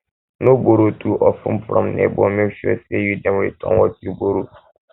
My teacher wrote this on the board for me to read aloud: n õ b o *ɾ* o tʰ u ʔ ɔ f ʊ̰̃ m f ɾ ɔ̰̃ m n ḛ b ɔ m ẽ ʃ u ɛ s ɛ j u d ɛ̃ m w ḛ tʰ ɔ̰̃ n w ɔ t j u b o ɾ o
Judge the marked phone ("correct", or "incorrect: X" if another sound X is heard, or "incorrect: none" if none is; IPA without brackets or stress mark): correct